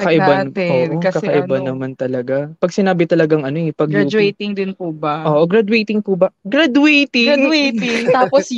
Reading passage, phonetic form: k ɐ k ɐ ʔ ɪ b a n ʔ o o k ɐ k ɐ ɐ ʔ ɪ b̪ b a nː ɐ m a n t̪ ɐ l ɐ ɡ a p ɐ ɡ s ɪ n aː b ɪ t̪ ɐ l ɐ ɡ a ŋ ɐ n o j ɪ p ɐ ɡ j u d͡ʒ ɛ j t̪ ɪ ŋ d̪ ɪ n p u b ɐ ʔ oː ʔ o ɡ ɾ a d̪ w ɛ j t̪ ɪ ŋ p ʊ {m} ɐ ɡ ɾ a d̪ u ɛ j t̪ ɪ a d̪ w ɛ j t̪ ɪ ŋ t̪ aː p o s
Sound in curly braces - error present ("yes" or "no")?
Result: yes